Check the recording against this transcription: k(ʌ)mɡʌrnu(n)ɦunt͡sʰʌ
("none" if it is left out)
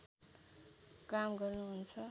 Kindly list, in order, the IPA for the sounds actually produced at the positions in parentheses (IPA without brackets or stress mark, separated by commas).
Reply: a, none